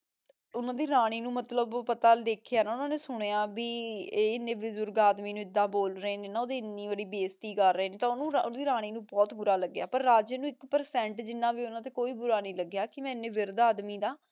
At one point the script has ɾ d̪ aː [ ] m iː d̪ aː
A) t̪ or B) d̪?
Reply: B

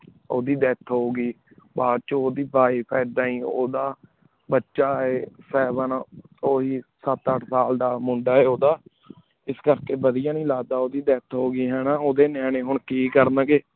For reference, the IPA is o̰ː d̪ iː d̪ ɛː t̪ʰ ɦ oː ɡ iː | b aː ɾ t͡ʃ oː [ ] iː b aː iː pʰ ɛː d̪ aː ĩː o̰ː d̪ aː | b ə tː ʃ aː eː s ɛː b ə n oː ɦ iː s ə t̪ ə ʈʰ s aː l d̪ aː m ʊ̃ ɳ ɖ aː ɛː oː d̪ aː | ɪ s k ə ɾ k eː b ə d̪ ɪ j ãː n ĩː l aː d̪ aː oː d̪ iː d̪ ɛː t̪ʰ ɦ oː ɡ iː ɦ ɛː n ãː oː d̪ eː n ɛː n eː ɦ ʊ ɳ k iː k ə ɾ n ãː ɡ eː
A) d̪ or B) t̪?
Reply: A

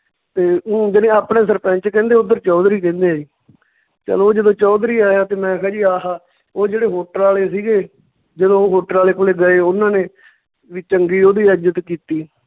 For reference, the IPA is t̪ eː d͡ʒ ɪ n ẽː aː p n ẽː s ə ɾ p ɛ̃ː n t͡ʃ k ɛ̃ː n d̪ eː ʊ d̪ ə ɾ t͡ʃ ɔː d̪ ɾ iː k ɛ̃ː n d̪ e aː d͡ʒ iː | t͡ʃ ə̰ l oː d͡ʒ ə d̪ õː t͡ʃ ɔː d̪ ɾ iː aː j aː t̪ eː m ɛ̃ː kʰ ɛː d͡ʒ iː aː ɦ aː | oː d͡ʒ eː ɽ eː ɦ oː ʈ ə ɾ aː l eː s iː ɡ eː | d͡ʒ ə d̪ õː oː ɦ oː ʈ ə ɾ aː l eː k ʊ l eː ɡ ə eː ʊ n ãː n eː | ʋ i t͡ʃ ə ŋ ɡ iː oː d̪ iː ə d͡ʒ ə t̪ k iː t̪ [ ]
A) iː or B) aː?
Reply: A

